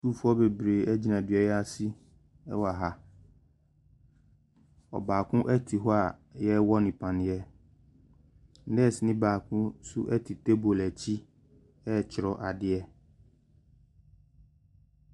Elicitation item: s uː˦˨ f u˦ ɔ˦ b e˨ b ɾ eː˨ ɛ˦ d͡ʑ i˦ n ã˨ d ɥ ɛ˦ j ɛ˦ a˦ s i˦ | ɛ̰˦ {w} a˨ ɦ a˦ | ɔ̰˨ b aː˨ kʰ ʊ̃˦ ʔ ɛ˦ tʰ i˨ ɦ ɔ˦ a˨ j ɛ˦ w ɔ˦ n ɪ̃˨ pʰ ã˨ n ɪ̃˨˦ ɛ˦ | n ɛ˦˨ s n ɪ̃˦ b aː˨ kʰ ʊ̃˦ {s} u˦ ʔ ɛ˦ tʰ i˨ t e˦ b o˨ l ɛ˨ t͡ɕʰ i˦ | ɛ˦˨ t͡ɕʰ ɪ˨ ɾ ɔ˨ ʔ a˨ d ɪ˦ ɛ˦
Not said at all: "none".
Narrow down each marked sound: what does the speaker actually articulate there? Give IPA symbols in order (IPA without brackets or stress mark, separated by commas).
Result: w, s